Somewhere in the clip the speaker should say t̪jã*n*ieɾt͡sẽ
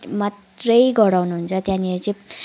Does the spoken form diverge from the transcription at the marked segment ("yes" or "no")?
no